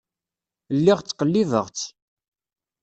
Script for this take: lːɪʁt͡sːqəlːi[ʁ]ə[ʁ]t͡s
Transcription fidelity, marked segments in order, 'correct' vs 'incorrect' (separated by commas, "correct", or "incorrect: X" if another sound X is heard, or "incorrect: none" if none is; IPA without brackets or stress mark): incorrect: v, correct